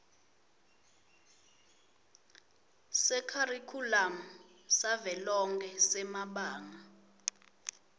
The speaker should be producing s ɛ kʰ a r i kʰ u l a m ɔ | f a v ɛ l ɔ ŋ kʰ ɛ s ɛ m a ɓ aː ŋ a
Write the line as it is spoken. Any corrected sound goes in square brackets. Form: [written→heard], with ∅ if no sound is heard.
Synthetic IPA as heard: s ɛ kʰ a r i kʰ u l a m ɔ | [f→s] a v ɛ l ɔ ŋ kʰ ɛ s ɛ m a ɓ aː ŋ a

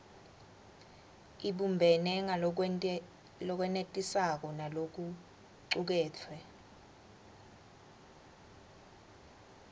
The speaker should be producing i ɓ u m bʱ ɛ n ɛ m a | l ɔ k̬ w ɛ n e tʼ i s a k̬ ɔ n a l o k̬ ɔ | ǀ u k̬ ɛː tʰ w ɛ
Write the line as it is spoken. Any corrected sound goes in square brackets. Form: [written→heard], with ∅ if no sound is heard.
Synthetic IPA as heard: i ɓ u m bʱ ɛ n ɛ [m→ŋ] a | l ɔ k̬ w ɛ n e tʼ i s a k̬ ɔ n a l o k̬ [ɔ→u] | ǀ u k̬ ɛː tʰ w ɛ

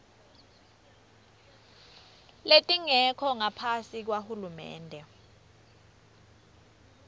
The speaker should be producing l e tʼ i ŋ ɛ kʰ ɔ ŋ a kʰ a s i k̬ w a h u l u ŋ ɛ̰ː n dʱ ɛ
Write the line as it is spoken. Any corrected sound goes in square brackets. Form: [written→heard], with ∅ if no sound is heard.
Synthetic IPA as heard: l e tʼ i ŋ ɛ kʰ ɔ ŋ a [kʰ→pʰ] a s i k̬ w a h u l u [ŋ→m] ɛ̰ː n dʱ ɛ

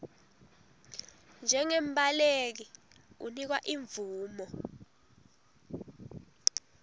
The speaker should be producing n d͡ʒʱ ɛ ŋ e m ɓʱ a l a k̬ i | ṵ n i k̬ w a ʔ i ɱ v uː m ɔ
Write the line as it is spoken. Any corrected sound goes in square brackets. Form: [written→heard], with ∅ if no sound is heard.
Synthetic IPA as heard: n d͡ʒʱ ɛ ŋ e m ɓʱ a l [a→e] k̬ i | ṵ n i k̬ w a ʔ i ɱ v uː m ɔ

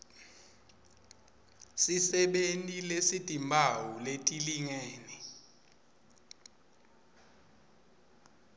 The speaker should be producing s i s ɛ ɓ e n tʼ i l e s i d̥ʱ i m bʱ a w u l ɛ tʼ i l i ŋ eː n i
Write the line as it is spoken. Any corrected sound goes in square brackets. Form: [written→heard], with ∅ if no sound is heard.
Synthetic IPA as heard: s i s ɛ ɓ e n tʼ i l e s i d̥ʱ i m bʱ a w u l [ɛ→e] tʼ i l i ŋ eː n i

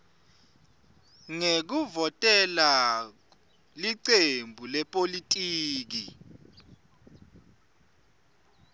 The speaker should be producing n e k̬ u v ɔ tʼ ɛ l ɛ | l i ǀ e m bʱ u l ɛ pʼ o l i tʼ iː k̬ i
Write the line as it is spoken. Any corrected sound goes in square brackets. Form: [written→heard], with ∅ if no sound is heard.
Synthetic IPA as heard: [n→ŋ] e k̬ u v ɔ tʼ ɛ l [ɛ→a] | l i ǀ e m bʱ u l ɛ pʼ o l i tʼ iː k̬ i

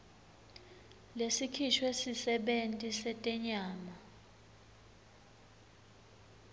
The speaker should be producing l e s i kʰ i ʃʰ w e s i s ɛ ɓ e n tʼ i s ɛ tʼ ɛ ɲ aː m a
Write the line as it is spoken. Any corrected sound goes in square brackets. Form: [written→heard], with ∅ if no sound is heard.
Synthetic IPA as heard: l e s i kʰ i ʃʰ w e s i s ɛ ɓ e n tʼ i s ɛ tʼ ɛ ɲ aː m a

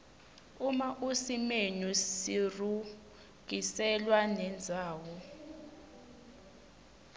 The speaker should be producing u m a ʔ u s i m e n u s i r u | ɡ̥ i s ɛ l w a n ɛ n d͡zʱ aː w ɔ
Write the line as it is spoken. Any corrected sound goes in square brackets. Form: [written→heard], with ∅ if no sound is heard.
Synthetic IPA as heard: u m a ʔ u s i m e n u s i r u | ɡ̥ i s ɛ l w a n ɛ n d͡zʱ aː w ɔ

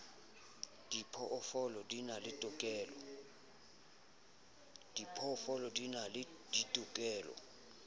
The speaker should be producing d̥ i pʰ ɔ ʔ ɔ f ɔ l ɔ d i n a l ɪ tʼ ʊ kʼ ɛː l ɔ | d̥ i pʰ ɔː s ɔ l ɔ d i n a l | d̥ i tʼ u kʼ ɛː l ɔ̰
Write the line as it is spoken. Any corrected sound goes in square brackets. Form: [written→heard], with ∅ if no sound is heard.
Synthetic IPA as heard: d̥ i pʰ ɔ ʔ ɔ f ɔ l ɔ d i n a l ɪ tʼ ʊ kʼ ɛː l ɔ | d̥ i pʰ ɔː [s→f] ɔ l ɔ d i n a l | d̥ i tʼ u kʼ ɛː l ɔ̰

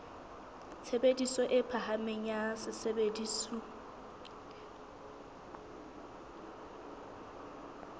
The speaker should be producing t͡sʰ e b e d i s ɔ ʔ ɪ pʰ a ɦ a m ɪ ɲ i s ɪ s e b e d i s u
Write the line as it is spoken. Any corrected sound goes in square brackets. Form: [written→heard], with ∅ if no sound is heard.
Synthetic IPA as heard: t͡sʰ e b e d i s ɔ ʔ ɪ pʰ a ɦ a m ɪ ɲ [i→a] s ɪ s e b e d i s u

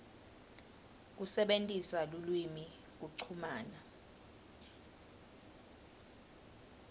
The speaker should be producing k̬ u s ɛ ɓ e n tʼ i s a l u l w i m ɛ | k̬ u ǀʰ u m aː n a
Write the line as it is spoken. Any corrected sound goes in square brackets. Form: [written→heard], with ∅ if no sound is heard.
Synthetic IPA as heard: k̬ u s ɛ ɓ e n tʼ i s a l u l w i m [ɛ→i] | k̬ u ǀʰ u m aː n a

